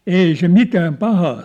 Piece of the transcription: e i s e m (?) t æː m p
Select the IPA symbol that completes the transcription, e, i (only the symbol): i